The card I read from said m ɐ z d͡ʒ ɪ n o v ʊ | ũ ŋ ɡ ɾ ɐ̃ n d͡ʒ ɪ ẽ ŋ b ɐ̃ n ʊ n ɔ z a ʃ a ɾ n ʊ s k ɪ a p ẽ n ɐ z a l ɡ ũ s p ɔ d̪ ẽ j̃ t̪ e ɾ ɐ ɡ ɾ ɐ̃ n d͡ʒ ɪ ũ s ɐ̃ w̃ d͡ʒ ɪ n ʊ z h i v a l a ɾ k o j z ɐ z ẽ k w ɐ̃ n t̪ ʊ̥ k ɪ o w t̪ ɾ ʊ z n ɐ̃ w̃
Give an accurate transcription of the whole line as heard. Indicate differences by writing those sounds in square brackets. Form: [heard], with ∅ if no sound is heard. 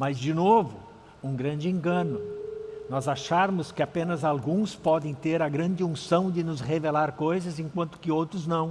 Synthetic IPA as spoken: m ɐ z d͡ʒ ɪ n o v ʊ | ũ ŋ ɡ ɾ ɐ̃ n d͡ʒ ɪ ẽ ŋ [ɡ] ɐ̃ n ʊ n ɔ z a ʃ a ɾ [m] ʊ s k ɪ a p ẽ n ɐ z a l ɡ ũ s p ɔ d̪ ẽ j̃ t̪ e ɾ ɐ ɡ ɾ ɐ̃ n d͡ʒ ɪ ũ s ɐ̃ w̃ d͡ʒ ɪ n ʊ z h [e] v [e] l a ɾ k o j z ɐ z ẽ k w ɐ̃ n t̪ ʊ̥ k ɪ o w t̪ ɾ ʊ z n ɐ̃ w̃